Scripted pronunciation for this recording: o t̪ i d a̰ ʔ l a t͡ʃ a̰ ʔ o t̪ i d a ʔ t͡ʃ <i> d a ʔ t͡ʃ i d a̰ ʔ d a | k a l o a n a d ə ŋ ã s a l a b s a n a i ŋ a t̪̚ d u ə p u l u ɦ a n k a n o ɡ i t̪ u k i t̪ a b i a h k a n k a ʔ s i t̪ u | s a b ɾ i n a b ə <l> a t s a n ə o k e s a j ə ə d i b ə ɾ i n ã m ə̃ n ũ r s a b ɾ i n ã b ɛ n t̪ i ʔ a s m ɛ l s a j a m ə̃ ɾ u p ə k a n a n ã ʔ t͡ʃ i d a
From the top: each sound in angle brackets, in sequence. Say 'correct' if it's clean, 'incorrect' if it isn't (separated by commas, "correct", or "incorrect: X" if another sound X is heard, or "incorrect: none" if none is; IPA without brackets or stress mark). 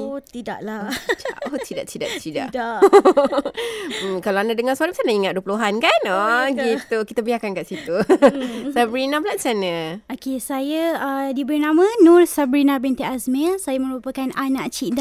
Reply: correct, correct